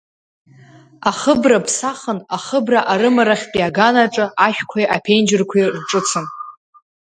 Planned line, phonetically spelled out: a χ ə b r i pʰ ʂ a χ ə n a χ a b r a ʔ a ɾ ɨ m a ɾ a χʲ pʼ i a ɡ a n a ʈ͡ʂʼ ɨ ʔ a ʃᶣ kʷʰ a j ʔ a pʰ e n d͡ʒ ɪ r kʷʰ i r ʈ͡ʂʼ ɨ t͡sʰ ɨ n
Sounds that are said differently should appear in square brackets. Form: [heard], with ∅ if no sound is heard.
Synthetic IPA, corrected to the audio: a χ ə b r [a] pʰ [s] a χ ə n a χ [ə] b r a ʔ a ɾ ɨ m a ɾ a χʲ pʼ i a ɡ a n a ʈ͡ʂʼ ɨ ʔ a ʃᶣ kʷʰ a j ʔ a pʰ e n d͡ʒ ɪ r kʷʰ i r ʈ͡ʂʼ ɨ t͡sʰ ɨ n

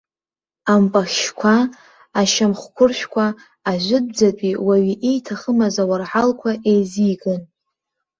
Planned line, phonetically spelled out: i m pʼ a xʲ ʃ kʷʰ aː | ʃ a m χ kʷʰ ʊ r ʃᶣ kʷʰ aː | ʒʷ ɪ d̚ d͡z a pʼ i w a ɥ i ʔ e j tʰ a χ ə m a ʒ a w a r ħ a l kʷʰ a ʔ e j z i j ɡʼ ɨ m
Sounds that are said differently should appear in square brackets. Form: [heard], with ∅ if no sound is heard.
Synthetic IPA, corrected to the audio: [a] m pʼ a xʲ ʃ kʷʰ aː | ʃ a m χ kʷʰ ʊ r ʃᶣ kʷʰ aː | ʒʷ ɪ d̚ d͡z a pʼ i w a ɥ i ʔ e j tʰ a χ ə m a [z] a w a r ħ a l kʷʰ a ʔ e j z i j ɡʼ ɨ [n]

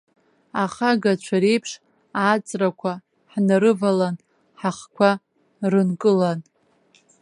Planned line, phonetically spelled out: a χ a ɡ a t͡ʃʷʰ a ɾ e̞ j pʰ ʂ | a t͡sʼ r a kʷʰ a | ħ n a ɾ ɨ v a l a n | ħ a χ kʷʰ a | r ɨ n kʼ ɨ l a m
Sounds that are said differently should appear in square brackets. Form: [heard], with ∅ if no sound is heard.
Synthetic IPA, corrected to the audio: a χ a ɡ a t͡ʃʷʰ a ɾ e̞ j pʰ ʂ | a t͡sʼ r a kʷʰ a | ħ n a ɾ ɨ v a l a n | ħ a χ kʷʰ a | r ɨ n kʼ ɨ l a [n]

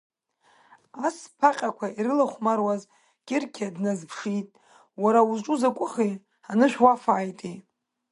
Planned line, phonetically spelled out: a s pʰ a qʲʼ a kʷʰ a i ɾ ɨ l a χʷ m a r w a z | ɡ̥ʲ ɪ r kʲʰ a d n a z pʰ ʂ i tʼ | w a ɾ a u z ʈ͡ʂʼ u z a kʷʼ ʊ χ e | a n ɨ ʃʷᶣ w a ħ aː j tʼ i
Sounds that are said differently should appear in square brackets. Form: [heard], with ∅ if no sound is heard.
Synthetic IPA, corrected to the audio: a s pʰ a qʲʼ a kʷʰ a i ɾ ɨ l a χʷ m a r w a z | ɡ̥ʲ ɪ r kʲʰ a d n a z pʰ ʂ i tʼ | w a ɾ a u z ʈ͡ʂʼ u z a kʷʼ ʊ χ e | a n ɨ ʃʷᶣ w a [f] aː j tʼ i

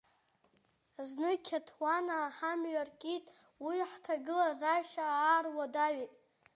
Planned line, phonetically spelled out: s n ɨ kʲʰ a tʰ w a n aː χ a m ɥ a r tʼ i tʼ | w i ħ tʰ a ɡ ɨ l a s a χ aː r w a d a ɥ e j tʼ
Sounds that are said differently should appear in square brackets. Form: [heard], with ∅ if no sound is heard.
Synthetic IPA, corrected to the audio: [z] n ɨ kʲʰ a tʰ w a n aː [ħ] a m ɥ a r [kʼ] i tʼ | w i ħ tʰ a ɡ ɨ l a [z] a [ʃ] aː r w a d a ɥ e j tʼ

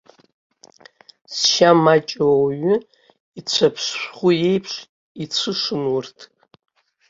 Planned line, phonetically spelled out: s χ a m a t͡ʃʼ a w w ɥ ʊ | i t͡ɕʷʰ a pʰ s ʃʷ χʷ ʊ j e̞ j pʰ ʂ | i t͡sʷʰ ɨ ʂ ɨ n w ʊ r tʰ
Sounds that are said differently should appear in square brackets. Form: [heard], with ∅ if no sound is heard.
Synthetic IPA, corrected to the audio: s [ʃ] a m a t͡ʃʼ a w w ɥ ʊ | i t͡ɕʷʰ a pʰ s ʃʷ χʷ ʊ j e̞ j pʰ ʂ | i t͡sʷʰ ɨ ʂ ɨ n w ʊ r tʰ

